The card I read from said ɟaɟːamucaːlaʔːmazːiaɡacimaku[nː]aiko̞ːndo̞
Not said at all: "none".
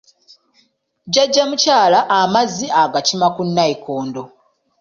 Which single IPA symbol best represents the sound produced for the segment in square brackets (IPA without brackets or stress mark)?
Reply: nː